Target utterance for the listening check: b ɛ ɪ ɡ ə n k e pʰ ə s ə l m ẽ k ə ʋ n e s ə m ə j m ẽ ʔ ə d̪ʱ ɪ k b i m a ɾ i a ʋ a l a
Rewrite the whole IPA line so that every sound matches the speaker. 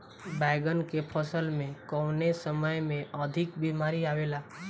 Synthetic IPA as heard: b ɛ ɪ ɡ ə n k e pʰ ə s ə l m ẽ k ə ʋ n e s ə m ə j m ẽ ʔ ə d̪ʱ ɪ k b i m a ɾ i a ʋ e l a